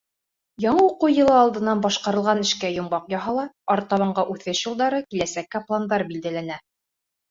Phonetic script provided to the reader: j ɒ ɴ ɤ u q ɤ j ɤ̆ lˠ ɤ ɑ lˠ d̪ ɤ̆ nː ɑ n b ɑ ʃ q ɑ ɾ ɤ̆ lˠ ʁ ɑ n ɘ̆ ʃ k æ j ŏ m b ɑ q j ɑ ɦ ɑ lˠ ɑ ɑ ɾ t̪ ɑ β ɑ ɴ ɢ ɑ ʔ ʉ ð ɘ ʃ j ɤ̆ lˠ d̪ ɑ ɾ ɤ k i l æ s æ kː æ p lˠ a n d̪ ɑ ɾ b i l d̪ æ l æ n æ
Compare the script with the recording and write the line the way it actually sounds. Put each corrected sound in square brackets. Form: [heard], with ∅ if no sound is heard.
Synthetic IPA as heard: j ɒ ɴ ɤ u q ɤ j ɤ̆ lˠ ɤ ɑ lˠ d̪ ɤ̆ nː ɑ n b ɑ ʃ q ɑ ɾ ɤ̆ lˠ ʁ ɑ n ɘ̆ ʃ k æ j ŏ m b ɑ q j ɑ ɦ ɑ lˠ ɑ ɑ ɾ t̪ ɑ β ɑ ɴ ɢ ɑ ʔ ʉ [θ] ɘ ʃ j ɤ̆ lˠ d̪ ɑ ɾ ɤ k i l æ s æ kː æ p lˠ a n d̪ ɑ ɾ b i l d̪ æ l æ n æ